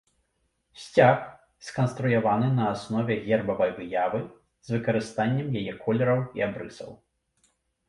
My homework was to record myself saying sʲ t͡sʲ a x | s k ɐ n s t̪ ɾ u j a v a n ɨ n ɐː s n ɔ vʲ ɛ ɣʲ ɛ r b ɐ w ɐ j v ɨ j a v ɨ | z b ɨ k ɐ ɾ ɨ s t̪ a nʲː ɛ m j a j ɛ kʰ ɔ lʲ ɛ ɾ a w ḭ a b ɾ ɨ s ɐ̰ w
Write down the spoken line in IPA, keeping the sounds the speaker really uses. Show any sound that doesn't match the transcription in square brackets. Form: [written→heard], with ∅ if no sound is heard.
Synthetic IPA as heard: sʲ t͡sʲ a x | s k ɐ n s t̪ ɾ u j a v a n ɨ n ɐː s n ɔ vʲ ɛ ɣʲ ɛ r b ɐ [w→v] ɐ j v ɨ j a v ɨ | z [b→v] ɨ k ɐ ɾ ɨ s t̪ a nʲː ɛ m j a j ɛ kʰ ɔ lʲ ɛ ɾ [a→ɐ] w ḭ a b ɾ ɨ s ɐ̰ w